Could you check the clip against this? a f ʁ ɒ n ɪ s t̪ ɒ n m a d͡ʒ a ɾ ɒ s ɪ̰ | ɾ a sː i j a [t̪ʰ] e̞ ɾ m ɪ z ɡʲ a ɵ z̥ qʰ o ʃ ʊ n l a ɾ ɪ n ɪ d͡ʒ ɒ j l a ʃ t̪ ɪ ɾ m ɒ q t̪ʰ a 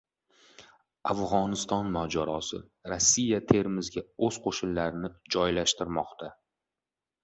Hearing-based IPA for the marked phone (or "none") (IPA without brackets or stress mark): t̪ʰ